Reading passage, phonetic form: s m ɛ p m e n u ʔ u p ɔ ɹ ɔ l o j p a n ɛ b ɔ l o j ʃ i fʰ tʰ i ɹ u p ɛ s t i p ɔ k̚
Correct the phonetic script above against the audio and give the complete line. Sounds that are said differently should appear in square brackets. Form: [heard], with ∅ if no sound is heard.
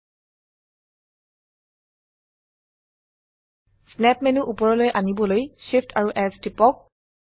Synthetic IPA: s [n] ɛ p m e n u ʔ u p ɔ ɹ ɔ l o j [ʔ] a n [i] b ɔ l o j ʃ i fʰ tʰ [a] ɹ u [ʔ] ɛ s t i p ɔ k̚

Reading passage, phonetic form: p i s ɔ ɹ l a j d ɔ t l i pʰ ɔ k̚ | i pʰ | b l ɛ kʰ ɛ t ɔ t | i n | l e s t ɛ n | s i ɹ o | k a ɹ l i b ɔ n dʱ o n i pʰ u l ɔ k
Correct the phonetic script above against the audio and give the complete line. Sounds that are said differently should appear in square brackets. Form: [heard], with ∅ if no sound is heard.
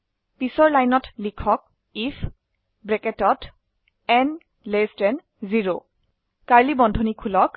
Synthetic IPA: p i s ɔ ɹ l a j [n] ɔ t l i [kʰ] ɔ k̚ | i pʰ | b [ɹ] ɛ [k] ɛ t ɔ t | [ɛ] n | l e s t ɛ n | [z] i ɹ o | k a ɹ l i b ɔ n dʱ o n i [kʰ] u l ɔ k

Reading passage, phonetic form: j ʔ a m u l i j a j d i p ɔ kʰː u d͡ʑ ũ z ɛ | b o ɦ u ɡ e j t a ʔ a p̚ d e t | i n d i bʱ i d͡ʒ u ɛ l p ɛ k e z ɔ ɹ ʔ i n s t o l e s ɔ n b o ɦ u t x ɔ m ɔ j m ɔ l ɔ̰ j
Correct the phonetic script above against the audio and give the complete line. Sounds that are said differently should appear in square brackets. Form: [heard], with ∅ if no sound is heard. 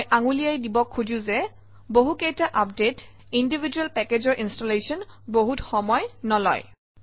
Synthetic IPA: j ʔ a [ŋ] u l i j a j d i [b] ɔ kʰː u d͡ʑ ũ z ɛ | b o ɦ u [k] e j t a ʔ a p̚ d e t | i n d i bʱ i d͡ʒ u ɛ l p ɛ k e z ɔ ɹ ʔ i n s t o l e s ɔ n b o ɦ u t x ɔ m ɔ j [n] ɔ l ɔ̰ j

